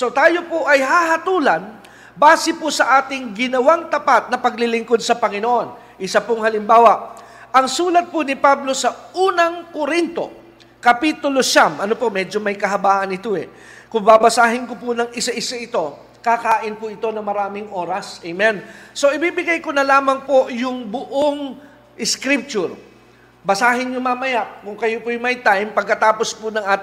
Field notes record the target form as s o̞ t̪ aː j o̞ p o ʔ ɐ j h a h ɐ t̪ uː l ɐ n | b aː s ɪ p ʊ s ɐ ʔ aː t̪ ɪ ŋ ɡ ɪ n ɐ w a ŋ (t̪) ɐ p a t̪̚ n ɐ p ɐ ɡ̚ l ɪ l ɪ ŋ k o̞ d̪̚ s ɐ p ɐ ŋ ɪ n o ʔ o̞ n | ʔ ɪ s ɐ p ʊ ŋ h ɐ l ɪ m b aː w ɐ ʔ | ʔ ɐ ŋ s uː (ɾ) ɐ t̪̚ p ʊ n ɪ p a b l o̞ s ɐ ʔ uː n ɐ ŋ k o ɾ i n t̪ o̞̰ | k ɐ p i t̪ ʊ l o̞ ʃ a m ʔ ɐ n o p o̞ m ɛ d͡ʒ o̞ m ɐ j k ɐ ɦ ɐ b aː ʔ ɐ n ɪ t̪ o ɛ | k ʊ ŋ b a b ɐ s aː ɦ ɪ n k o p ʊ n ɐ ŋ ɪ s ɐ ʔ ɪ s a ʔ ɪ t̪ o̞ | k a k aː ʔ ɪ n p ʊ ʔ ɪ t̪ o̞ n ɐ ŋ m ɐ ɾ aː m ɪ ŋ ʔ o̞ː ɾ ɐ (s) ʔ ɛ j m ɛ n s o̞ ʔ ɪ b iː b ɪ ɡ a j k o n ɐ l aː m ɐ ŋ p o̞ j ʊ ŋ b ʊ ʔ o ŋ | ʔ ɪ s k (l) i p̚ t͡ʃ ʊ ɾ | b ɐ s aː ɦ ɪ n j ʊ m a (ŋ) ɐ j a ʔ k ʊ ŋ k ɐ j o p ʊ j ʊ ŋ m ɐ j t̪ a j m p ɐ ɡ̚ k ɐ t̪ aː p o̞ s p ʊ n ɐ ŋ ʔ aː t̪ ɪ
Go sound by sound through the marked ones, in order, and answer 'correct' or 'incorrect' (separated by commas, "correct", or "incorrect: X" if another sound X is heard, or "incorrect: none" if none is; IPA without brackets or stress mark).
correct, incorrect: l, correct, incorrect: ɾ, incorrect: m